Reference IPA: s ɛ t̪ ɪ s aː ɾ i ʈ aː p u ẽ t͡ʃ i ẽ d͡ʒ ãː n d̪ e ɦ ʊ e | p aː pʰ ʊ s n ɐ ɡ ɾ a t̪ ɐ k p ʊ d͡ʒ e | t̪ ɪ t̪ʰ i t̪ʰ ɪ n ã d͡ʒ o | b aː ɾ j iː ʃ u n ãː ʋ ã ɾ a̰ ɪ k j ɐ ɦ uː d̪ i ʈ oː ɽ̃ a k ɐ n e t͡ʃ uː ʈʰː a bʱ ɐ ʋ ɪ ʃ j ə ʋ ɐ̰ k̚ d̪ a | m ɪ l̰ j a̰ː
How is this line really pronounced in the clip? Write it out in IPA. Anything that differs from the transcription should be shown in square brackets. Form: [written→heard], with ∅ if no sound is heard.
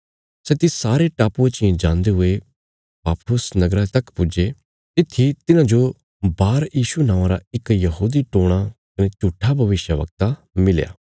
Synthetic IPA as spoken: s ɛ t̪ ɪ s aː ɾ [i→e] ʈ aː p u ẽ t͡ʃ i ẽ d͡ʒ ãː n d̪ e ɦ ʊ e | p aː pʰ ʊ s n ɐ ɡ ɾ a t̪ ɐ k p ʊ d͡ʒ e | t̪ ɪ t̪ʰ i [t̪ʰ→t̪] ɪ n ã d͡ʒ o | b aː ɾ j iː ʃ u n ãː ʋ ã ɾ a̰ ɪ k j ɐ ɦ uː d̪ i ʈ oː ɽ̃ a k ɐ n e t͡ʃ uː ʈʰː a bʱ ɐ ʋ ɪ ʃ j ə ʋ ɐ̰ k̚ [d̪→t̪] a | m ɪ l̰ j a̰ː